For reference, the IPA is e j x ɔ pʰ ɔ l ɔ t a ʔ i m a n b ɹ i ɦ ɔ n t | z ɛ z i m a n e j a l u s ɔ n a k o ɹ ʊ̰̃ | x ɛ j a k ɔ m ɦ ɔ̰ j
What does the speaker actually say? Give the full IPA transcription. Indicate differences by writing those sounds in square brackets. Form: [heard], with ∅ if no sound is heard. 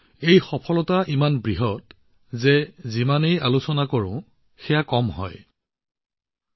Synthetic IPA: e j x ɔ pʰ ɔ l ɔ t a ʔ i m a n b ɹ i ɦ ɔ [∅] t | z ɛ z i m a n e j a l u s ɔ n a k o ɹ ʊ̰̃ | x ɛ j a k ɔ m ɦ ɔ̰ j

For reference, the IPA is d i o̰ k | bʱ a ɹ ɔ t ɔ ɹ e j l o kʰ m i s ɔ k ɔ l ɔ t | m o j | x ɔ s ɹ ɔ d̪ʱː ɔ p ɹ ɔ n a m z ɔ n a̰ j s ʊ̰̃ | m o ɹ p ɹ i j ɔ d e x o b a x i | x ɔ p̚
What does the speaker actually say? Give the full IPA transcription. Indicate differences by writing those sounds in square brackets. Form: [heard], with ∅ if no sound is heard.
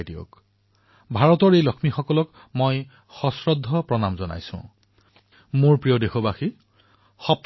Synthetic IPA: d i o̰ k | bʱ a ɹ ɔ t ɔ ɹ e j l [ɔ] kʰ m i [x] ɔ k ɔ l ɔ [k] | m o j | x ɔ s ɹ ɔ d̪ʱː ɔ p ɹ ɔ n a m z ɔ n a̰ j s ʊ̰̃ | m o ɹ p ɹ i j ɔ d e x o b a x i | x ɔ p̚

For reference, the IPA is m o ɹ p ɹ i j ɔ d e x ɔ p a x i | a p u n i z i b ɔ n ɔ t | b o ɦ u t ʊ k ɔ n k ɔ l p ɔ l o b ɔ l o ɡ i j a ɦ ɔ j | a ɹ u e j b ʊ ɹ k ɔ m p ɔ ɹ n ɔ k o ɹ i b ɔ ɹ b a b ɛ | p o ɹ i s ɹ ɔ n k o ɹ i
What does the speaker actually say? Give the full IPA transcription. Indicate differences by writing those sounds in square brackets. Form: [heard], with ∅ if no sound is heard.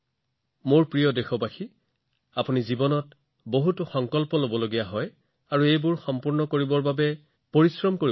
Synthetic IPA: m o ɹ p ɹ i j ɔ d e x ɔ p a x i | a p u n i z i b ɔ n ɔ t | b o ɦ u t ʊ [x] ɔ [ŋ] k ɔ l p ɔ l o b ɔ l o ɡ i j a ɦ ɔ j | a ɹ u e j b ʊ ɹ [x] ɔ m p [u] ɹ n ɔ k o ɹ i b ɔ ɹ b a b ɛ | p o ɹ i s ɹ ɔ [m] k o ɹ i

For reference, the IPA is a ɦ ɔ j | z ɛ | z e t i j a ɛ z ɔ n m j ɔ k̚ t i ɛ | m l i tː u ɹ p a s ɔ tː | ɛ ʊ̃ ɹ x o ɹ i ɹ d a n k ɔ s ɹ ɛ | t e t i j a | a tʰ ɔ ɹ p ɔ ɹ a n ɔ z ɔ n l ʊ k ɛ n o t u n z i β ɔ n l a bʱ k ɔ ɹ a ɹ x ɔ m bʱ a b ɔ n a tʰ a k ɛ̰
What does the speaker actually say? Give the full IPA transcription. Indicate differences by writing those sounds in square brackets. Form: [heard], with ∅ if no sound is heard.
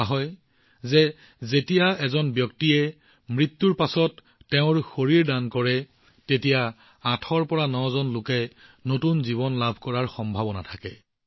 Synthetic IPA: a ɦ ɔ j | z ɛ | z e t i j a ɛ z ɔ n [b] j ɔ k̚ t i ɛ | m [ɹ] i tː u ɹ p a s ɔ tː | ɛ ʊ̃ ɹ x o ɹ i ɹ d a n k ɔ [∅] ɹ ɛ | t e t i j a | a tʰ ɔ ɹ p ɔ ɹ a n ɔ z ɔ n l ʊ k ɛ n o t u n z i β ɔ n l a bʱ k ɔ ɹ a ɹ x ɔ m bʱ a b ɔ n a tʰ a k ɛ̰

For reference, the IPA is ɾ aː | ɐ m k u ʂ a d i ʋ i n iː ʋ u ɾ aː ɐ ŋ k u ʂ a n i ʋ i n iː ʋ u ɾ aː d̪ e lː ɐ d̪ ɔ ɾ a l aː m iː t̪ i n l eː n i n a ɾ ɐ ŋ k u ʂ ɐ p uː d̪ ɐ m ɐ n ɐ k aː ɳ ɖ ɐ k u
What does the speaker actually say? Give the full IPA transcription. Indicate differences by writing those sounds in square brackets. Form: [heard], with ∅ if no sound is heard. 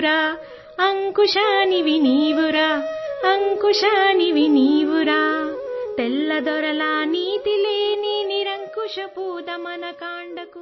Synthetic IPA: ɾ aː | ɐ [ŋ] k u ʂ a [n] i ʋ i n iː ʋ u ɾ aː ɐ ŋ k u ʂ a n i ʋ i n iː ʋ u ɾ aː [t̪] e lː ɐ d̪ ɔ ɾ [ɐ] l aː [n] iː t̪ i [∅] l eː n i n [i] ɾ ɐ ŋ k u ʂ ɐ p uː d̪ ɐ m ɐ n ɐ k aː ɳ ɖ ɐ k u

